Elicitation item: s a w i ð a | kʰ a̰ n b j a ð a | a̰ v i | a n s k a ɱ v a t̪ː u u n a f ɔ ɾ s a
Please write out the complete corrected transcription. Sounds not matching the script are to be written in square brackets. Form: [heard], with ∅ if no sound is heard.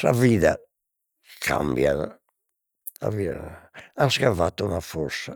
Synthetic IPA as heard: s a [v] i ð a | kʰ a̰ [m] b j a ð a | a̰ v i | a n s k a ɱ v a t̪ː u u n a f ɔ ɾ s a